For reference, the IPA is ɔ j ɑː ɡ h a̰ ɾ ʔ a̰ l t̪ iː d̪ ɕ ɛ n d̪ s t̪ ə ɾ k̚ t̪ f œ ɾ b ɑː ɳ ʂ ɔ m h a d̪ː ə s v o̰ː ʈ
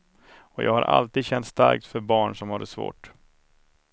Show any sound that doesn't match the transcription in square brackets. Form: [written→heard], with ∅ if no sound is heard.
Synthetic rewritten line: ɔ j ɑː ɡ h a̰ ɾ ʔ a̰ l t̪ iː d̪ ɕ ɛ n [d̪→t̪] s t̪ [ə→a] ɾ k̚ t̪ f œ ɾ b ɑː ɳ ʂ ɔ m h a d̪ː ə s v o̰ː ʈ